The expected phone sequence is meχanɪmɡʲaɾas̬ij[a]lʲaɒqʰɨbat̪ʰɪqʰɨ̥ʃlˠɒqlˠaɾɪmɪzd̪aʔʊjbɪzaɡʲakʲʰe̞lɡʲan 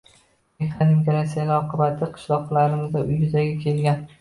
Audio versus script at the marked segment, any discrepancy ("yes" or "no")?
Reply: no